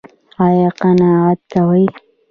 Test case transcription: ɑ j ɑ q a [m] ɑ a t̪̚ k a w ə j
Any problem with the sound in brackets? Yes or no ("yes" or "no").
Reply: yes